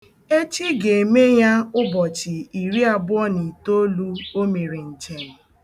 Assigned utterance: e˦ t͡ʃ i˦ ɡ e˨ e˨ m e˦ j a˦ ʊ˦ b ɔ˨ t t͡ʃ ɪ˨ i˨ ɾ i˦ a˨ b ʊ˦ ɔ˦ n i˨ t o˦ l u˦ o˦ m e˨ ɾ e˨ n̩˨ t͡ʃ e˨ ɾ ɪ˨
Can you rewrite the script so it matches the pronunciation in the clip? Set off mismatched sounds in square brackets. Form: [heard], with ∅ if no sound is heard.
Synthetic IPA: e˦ t͡ʃ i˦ ɡ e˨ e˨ m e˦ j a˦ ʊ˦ b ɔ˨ [∅] t͡ʃ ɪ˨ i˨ ɾ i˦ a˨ b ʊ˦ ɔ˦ n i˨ t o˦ l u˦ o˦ m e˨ ɾ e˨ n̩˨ t͡ʃ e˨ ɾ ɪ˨